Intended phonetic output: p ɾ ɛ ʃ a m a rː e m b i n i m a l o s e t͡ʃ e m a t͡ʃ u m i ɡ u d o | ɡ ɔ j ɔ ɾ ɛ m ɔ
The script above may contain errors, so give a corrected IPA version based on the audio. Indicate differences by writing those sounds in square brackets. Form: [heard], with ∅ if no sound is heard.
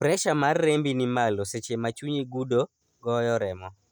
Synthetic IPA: p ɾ ɛ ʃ a m a rː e m b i n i m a l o s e t͡ʃ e m a t͡ʃ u [ɲ] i ɡ u d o | ɡ ɔ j ɔ ɾ ɛ m ɔ